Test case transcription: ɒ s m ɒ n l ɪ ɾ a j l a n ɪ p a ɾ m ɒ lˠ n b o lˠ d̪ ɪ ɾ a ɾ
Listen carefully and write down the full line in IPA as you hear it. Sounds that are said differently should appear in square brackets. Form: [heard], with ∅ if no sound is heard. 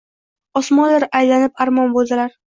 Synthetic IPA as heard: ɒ s m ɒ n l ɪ ɾ a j l a n ɪ p a ɾ m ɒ [∅] n b o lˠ d̪ ɪ [l] a ɾ